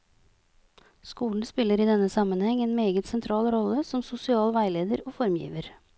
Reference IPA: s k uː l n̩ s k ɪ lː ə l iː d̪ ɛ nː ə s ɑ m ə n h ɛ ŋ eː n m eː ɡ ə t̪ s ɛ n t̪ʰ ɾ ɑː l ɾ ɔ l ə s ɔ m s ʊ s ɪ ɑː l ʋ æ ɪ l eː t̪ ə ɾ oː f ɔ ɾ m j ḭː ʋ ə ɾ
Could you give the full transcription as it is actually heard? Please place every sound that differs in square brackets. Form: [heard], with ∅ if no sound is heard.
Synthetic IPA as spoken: s k uː l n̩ s [p] ɪ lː ə [ɾ] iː d̪ ɛ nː ə s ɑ m ə n h ɛ ŋ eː n m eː ɡ ə t̪ s ɛ n t̪ʰ ɾ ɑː l ɾ ɔ l ə s ɔ m s ʊ s ɪ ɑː l ʋ æ ɪ l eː [d̪] ə ɾ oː f ɔ ɾ m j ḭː ʋ ə ɾ